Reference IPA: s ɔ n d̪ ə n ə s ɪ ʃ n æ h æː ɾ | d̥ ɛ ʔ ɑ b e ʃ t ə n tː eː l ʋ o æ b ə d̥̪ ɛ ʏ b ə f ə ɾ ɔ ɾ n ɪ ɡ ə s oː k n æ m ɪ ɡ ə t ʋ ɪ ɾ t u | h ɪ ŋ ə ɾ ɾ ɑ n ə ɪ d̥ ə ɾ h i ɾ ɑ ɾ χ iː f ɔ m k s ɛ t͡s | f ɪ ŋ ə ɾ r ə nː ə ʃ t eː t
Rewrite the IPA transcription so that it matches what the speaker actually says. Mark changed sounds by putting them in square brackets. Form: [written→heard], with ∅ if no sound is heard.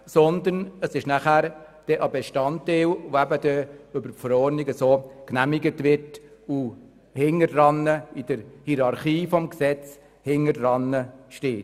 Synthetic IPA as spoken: s ɔ n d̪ ə n ə s ɪ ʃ n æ [h→χ] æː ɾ | d̥ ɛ ʔ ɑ b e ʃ t [ə→ɑ] n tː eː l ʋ o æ b ə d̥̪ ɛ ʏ b ə f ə ɾ ɔ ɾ n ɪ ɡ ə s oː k n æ m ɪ ɡ ə t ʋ ɪ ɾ t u | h ɪ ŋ ə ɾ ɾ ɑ n ə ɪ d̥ ə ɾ h i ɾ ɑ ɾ χ iː f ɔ m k s ɛ t͡s | [f→h] ɪ ŋ ə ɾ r [ə→ɑ] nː ə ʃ t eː t

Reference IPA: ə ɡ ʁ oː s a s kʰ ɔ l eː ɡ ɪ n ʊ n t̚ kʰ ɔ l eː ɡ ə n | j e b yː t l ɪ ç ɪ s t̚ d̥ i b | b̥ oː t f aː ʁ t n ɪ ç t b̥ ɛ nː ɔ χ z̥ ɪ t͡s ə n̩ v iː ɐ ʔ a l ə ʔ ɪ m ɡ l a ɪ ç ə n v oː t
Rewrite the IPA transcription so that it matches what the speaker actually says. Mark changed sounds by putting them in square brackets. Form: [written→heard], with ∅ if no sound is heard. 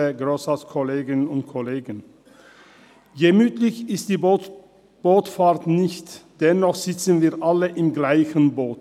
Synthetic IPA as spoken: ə ɡ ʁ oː s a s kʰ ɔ l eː ɡ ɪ n ʊ n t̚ kʰ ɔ l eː ɡ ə n | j e [b→m] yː t l ɪ ç ɪ s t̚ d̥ [i→iː] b | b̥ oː t f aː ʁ t n ɪ ç t [b̥→d̥] ɛ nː ɔ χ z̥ ɪ t͡s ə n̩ v iː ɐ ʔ a l ə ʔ ɪ m ɡ l a ɪ ç ə n [v→b] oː t

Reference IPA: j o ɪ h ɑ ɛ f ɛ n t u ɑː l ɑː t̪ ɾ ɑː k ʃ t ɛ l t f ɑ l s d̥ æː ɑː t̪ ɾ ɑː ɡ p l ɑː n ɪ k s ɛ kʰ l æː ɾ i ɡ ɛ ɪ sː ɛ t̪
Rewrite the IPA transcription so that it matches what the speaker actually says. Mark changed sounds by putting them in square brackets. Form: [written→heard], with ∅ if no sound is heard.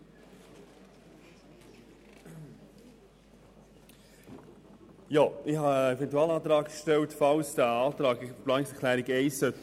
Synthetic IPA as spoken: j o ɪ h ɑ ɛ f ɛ n t u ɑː l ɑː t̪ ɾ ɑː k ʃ t ɛ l t f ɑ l s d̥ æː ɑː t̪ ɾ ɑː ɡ p l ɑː n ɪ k s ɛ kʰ l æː ɾ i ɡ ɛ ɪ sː [ɛ→œ] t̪

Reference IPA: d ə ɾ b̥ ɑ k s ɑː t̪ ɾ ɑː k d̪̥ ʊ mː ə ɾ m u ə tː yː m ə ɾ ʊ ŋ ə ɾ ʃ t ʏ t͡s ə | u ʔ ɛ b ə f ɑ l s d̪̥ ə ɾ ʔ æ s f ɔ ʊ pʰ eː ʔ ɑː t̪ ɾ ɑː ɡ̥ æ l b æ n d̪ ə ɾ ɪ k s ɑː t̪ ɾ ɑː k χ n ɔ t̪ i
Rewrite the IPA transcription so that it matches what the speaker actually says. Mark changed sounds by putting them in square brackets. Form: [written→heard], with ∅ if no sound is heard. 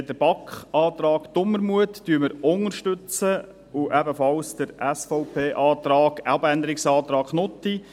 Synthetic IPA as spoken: d ə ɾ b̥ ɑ k [s→χ] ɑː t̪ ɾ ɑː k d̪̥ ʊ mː ə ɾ m u ə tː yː m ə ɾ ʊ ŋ ə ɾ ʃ t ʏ t͡s ə | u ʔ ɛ b ə f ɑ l s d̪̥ ə ɾ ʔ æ s f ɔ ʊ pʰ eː ʔ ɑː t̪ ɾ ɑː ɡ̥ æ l b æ n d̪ ə ɾ ɪ k s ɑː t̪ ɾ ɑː k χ n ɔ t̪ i

